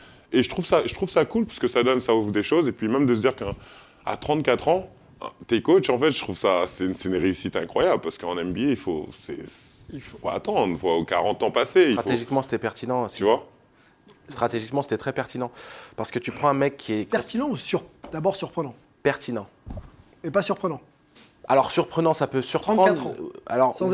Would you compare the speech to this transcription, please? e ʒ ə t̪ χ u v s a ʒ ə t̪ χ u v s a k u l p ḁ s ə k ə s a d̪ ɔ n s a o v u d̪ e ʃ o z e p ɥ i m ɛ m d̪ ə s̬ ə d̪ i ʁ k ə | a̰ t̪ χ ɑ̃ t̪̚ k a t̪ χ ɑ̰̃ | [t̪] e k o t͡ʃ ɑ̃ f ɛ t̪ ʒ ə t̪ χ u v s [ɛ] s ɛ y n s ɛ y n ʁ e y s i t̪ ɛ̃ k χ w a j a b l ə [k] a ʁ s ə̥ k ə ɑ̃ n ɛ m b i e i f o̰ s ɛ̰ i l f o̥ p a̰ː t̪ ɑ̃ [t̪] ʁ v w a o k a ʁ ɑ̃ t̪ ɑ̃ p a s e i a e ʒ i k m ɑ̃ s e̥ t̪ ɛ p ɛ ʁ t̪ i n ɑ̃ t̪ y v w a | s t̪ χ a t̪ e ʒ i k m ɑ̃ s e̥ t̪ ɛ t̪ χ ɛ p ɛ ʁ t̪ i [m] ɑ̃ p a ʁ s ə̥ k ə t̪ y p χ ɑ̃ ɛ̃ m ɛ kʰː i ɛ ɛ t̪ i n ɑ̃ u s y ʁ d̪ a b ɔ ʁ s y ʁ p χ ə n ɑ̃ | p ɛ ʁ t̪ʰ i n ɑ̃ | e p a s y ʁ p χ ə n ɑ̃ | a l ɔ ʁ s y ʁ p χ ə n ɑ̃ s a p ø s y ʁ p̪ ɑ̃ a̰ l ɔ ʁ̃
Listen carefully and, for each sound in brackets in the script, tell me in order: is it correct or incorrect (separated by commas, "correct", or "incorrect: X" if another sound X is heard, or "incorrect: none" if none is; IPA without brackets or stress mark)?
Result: correct, incorrect: a, incorrect: p, incorrect: d̪, incorrect: n